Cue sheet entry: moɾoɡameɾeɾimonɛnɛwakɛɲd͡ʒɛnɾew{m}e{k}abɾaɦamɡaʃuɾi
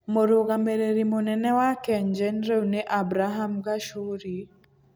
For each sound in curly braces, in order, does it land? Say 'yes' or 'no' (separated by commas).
no, no